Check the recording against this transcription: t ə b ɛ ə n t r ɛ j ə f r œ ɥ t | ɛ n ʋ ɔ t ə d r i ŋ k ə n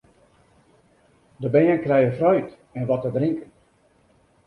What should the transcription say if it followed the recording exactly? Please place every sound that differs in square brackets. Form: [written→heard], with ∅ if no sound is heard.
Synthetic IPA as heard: [t→d] ə b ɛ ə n [t→k] r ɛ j ə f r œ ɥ t | ɛ n ʋ ɔ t ə d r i ŋ k ə n